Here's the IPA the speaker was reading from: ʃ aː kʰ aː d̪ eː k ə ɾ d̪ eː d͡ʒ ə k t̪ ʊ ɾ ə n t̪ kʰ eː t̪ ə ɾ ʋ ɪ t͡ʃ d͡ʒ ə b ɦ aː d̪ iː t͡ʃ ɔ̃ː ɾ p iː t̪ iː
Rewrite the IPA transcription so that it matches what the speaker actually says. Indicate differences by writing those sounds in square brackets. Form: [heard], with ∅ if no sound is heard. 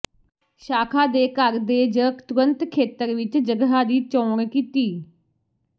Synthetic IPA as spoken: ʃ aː kʰ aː d̪ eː k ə ɾ d̪ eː d͡ʒ ə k t̪ ʊ ɾ ə n t̪ kʰ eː t̪ ə ɾ ʋ ɪ t͡ʃ d͡ʒ ə [ɡ] ɦ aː d̪ iː t͡ʃ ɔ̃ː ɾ [k] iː t̪ iː